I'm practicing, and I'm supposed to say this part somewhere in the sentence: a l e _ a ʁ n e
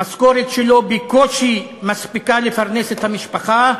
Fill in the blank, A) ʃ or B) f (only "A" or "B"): B